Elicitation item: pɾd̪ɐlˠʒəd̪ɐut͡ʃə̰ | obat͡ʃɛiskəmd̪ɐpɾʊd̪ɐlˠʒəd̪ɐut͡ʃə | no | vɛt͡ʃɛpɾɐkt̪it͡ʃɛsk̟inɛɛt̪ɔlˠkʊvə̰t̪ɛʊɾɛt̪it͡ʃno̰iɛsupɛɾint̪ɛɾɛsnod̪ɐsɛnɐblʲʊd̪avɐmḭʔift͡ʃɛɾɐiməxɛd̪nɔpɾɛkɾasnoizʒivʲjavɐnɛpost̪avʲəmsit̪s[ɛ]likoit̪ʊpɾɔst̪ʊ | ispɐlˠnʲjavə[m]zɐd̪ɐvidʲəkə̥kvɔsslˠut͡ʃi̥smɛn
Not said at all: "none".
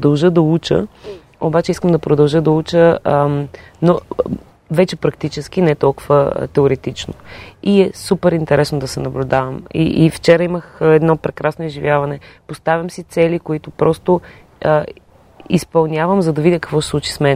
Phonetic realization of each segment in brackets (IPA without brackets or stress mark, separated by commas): ɛ, m